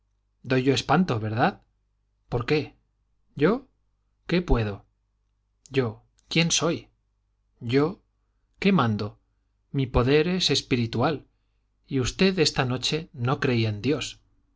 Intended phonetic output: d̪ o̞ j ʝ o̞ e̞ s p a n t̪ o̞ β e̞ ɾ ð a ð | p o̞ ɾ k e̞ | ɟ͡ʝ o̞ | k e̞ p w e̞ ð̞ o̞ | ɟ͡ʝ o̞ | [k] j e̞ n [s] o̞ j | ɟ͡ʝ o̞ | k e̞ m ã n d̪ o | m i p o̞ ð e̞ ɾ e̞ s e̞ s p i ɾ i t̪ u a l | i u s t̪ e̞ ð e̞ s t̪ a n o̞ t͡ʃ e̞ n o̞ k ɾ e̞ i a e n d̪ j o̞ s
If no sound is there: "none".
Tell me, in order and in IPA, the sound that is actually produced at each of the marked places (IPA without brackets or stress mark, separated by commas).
k, s